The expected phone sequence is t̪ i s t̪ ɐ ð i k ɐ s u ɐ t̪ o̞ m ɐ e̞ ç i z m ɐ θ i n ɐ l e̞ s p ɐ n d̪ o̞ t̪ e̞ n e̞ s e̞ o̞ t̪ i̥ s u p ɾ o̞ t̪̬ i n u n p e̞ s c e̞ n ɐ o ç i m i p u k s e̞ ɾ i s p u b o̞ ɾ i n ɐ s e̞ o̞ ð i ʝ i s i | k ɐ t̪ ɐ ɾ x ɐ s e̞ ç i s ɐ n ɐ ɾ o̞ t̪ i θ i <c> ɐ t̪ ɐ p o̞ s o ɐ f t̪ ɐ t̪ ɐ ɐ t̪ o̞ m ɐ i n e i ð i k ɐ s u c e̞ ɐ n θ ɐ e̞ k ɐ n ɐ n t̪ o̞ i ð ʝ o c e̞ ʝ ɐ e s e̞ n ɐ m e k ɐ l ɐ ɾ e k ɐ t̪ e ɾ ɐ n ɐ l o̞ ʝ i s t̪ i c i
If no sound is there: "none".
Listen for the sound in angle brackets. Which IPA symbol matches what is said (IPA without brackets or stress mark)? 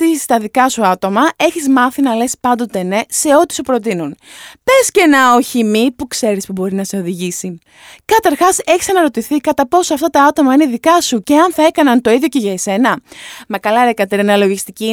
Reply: k